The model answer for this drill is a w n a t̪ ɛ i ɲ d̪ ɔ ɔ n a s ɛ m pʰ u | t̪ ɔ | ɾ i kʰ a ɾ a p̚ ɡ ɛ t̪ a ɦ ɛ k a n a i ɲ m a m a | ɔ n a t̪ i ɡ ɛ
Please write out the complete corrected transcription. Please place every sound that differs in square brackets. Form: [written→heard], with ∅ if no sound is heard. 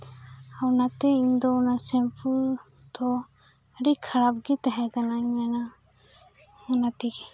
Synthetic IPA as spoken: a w n a t̪ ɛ i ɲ d̪ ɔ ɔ n a s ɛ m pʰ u | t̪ ɔ | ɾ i kʰ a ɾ a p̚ ɡ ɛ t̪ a ɦ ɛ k a n a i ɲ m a [m→n] a | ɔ n a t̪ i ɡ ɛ